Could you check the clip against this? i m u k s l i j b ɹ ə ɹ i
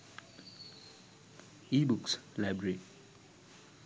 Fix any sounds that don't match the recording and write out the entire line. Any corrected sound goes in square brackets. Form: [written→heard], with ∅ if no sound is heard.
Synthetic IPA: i [m→b] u k s l [i→a] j b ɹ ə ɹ i